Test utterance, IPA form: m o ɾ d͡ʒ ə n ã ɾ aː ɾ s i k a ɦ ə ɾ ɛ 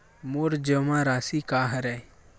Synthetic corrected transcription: m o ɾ d͡ʒ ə m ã ɾ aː s i k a ɦ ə ɾ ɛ